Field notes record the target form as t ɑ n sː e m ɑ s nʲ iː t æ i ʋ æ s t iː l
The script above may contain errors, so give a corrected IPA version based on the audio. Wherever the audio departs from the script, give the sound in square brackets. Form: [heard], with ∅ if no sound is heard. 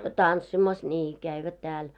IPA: t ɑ n sː [i] m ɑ s nʲ iː [k] æ i ʋ æ [t] t [æː] l